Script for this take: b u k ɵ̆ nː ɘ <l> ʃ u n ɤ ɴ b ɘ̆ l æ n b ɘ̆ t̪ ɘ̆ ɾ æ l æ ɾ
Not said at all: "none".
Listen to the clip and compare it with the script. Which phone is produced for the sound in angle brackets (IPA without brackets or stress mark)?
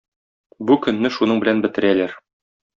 none